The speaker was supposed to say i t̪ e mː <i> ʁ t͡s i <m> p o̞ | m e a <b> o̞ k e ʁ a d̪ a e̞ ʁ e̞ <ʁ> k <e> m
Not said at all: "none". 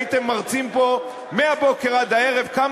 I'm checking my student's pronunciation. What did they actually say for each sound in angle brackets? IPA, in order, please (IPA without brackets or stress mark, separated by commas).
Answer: a, m, b, v, a